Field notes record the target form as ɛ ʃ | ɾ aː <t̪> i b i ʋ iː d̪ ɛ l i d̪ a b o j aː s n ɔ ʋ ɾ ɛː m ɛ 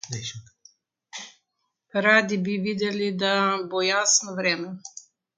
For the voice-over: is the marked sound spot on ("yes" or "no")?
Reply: no